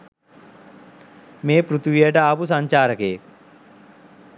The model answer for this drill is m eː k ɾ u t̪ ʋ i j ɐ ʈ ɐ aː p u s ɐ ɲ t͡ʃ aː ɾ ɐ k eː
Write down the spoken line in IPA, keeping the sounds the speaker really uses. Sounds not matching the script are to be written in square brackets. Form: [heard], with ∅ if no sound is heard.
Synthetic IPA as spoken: m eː [p] ɾ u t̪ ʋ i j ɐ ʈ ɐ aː p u s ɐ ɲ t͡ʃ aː ɾ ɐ k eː